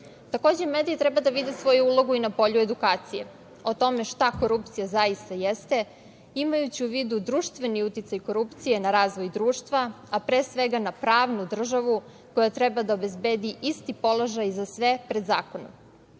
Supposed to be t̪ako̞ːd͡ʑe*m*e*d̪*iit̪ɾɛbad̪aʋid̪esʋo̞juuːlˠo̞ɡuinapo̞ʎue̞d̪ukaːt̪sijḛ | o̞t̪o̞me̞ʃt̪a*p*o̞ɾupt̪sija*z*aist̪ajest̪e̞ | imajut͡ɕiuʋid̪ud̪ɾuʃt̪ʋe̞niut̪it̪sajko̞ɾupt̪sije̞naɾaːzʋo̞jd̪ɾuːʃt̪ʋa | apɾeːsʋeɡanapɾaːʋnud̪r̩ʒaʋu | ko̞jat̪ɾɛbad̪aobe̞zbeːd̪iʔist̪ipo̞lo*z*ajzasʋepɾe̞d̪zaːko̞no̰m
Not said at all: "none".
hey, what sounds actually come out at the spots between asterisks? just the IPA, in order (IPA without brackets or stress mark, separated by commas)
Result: m, d̪, k, z, ʒ